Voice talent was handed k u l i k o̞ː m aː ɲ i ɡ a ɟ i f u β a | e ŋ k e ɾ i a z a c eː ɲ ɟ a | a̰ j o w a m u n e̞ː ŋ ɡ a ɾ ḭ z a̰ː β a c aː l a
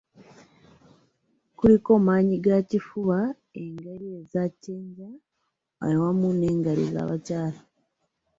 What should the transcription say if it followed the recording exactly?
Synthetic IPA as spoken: k u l i k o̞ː m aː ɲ i ɡ a c i f u β a | e ŋ ɡ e ɾ i e z a c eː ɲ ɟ a | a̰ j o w a m u n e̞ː ŋ ɡ a ɾ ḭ z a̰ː β a c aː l a